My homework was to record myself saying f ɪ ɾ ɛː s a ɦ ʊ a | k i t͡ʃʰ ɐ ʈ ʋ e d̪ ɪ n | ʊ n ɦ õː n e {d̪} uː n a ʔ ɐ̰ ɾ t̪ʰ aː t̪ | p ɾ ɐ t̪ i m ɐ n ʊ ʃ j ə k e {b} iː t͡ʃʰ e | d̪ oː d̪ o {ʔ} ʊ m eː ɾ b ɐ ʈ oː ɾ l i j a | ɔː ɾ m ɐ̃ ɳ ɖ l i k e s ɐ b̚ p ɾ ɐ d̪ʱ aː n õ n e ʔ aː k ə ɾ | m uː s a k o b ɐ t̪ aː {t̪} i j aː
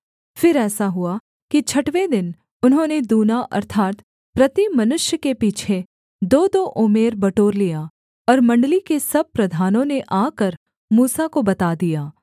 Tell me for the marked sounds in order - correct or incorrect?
correct, incorrect: p, correct, incorrect: d̪

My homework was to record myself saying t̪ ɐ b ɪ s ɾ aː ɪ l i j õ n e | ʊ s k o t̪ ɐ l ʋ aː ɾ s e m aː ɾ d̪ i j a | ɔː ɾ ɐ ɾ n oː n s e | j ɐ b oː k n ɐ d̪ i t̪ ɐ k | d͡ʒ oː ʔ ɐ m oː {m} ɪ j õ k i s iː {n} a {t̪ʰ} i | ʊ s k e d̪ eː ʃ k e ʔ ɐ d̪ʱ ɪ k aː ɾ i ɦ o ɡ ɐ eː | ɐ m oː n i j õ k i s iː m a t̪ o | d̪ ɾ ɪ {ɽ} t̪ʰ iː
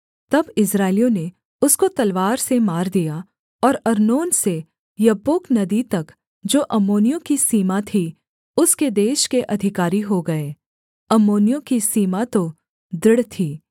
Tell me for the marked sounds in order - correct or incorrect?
incorrect: n, incorrect: m, correct, correct

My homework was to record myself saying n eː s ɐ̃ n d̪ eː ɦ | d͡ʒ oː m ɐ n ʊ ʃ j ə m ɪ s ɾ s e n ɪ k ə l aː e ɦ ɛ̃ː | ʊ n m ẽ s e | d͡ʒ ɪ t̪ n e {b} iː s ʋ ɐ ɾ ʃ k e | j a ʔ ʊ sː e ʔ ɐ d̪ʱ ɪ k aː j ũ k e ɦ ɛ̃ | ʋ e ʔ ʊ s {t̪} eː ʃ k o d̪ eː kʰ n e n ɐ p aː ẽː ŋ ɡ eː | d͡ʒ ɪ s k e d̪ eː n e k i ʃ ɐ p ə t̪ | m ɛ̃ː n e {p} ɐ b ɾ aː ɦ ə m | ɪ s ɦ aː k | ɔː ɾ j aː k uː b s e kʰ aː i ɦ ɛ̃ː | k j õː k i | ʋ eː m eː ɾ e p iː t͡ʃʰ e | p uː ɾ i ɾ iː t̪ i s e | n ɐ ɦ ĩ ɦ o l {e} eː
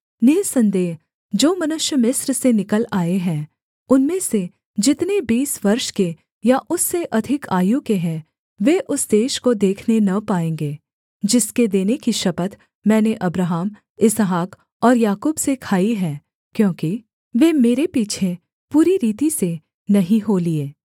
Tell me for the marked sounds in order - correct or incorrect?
correct, incorrect: d̪, incorrect: ʔ, incorrect: i

